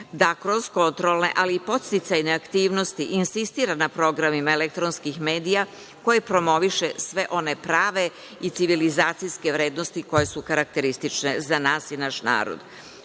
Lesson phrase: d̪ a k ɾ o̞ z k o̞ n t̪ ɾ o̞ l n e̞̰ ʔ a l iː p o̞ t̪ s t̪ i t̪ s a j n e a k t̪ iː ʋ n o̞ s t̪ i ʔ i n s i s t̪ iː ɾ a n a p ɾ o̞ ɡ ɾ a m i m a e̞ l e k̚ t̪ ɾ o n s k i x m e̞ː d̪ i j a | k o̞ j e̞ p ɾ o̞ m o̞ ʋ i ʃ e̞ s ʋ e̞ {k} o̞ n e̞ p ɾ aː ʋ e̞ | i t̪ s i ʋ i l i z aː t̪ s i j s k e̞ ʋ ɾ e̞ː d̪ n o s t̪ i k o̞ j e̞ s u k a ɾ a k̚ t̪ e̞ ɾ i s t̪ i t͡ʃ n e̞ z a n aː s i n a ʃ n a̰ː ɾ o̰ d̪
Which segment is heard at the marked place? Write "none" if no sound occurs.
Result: ʔ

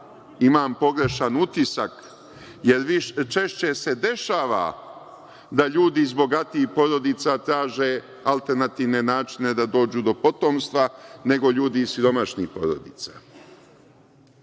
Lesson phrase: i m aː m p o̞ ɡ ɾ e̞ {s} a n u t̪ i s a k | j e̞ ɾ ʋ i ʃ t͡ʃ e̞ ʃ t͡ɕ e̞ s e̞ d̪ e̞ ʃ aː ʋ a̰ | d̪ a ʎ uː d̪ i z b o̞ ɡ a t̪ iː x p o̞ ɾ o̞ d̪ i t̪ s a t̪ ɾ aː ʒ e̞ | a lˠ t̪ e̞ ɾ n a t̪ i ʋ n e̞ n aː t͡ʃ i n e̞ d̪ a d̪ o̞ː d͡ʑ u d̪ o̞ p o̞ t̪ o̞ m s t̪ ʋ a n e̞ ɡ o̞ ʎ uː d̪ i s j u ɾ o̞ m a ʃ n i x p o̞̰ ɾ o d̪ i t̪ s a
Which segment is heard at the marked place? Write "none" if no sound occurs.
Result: ʃ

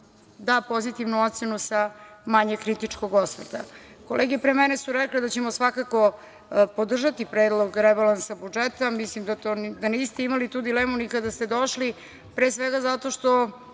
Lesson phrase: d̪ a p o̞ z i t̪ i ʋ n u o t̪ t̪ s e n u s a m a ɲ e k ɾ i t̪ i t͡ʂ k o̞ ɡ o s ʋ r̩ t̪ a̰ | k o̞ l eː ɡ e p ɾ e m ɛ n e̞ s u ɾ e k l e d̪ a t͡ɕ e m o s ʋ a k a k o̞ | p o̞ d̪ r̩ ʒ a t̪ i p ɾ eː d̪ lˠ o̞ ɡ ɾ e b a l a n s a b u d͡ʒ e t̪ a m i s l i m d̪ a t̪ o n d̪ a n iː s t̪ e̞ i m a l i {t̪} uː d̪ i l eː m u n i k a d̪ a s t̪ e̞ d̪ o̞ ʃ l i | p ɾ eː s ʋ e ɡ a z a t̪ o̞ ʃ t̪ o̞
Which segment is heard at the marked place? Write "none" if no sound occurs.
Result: t̪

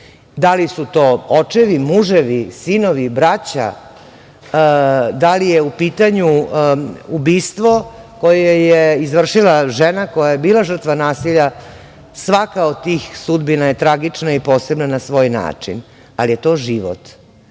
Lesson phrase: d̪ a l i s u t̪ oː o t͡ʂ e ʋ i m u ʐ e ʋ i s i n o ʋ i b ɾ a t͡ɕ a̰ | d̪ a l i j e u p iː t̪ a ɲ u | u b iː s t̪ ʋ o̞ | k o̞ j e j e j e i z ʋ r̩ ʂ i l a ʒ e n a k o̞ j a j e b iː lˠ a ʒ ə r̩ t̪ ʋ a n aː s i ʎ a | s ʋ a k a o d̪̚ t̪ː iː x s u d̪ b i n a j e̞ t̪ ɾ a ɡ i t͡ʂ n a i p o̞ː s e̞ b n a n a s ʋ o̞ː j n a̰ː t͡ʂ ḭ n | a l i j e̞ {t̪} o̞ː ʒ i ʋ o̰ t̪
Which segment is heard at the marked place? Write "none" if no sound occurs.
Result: t̪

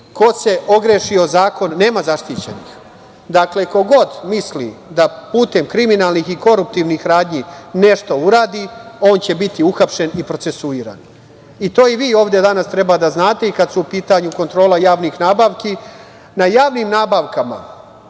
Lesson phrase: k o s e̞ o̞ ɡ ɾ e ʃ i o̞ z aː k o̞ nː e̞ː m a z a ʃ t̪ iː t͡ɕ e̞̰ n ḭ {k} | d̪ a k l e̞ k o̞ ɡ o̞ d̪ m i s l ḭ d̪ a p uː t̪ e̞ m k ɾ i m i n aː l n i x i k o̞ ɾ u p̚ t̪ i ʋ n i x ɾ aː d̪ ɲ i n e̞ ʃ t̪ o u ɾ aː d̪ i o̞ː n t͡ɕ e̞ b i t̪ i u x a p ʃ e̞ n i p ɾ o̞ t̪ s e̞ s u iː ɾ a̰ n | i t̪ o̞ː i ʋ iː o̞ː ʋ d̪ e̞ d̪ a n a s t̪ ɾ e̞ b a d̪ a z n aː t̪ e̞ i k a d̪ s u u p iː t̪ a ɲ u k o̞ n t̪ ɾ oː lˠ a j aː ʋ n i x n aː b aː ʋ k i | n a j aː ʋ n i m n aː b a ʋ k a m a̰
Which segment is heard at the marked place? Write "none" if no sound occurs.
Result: x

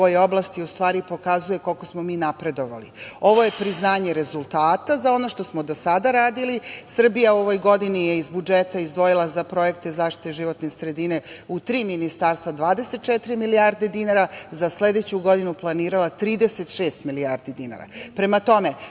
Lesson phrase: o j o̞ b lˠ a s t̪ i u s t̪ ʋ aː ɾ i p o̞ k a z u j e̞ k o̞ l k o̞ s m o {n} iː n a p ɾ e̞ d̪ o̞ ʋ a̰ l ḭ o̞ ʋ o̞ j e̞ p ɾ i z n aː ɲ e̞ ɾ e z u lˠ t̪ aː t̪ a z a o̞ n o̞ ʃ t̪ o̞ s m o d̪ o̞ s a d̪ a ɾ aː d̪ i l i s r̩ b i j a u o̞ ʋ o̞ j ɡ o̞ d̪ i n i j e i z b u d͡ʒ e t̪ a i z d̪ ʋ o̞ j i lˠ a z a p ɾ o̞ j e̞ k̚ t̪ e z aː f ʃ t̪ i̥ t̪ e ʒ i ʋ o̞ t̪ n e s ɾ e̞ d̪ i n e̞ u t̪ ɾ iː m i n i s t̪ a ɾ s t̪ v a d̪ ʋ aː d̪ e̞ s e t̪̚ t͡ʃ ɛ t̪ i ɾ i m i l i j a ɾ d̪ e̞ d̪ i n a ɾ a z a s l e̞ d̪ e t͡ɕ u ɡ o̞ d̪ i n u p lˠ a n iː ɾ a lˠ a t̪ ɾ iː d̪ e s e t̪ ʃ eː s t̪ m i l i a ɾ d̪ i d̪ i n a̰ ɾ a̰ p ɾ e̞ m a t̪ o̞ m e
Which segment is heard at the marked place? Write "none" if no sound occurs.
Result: m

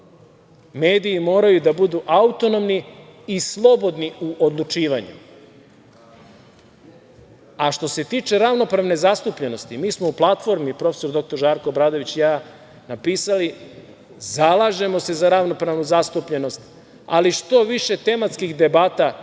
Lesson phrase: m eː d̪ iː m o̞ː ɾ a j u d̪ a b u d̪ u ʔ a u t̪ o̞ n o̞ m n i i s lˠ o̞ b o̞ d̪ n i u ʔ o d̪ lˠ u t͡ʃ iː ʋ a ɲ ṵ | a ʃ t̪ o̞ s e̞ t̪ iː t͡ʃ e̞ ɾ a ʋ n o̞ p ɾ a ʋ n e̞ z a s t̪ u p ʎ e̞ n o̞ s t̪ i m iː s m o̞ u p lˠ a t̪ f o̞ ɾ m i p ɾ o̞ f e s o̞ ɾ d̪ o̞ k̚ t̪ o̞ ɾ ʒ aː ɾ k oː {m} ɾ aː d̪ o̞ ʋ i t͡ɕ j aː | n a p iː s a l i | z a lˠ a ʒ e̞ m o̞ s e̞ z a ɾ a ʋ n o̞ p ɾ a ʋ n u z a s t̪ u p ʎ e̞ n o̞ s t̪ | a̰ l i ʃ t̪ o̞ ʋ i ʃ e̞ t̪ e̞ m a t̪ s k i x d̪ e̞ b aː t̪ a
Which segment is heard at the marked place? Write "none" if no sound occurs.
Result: b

